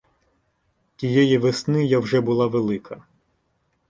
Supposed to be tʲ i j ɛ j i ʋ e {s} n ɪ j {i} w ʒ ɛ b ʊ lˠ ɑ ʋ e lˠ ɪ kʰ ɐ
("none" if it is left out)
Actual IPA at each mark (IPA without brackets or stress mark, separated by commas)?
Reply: s, a